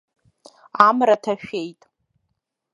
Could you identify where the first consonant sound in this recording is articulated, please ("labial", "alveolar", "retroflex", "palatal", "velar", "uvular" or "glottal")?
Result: labial